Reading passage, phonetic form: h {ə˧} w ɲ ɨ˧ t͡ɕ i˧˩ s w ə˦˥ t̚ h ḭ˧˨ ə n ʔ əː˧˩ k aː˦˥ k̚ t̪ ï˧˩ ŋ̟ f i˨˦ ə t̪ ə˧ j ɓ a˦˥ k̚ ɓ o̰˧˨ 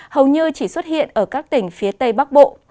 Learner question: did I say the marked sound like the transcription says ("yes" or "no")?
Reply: no